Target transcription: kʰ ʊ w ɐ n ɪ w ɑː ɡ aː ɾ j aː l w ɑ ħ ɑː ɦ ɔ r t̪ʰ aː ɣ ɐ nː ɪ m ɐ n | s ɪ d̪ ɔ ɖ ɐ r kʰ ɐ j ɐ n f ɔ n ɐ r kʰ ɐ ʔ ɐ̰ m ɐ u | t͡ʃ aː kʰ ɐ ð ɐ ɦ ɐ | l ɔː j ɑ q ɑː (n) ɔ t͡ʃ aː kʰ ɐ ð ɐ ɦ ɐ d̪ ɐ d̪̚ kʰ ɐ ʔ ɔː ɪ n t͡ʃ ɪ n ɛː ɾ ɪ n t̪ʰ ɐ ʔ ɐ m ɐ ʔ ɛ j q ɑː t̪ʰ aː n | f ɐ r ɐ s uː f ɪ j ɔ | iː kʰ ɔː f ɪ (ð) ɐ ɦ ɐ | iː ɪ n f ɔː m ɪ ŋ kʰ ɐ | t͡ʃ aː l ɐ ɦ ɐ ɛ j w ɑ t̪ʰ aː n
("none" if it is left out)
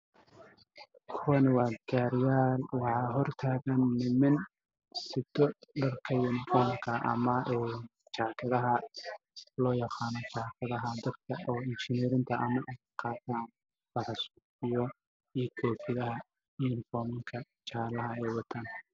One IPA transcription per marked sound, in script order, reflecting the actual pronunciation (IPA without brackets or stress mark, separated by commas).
n, ð